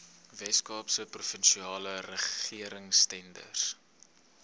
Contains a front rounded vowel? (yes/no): no